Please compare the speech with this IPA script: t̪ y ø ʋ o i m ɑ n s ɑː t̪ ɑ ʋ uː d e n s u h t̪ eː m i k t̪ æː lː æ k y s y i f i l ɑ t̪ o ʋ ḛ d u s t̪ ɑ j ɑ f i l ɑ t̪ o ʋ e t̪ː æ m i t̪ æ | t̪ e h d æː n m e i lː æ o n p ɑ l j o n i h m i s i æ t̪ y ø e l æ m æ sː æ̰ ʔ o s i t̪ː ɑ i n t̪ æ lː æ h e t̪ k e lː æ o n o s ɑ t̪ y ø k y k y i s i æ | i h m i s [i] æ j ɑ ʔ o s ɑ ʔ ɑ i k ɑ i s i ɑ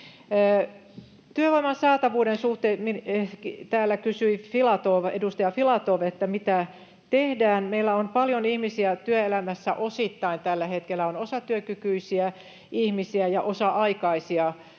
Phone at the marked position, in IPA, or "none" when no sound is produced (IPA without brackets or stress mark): i